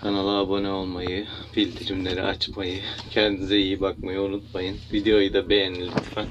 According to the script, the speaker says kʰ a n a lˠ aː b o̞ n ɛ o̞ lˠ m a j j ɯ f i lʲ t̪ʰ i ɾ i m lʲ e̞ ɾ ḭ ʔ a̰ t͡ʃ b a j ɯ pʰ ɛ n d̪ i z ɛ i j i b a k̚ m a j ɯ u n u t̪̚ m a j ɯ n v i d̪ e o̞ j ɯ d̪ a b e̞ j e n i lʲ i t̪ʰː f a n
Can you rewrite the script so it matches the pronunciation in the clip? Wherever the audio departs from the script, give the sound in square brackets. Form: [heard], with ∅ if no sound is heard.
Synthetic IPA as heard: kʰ a n a lˠ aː b o̞ n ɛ o̞ lˠ m a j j ɯ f i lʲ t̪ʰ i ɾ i m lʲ e̞ ɾ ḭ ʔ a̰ t͡ʃ [m] a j ɯ [cʰ] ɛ n d̪ i z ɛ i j i b a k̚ m a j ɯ u n u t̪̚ m a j ɯ n v i d̪ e o̞ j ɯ d̪ a b e̞ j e n i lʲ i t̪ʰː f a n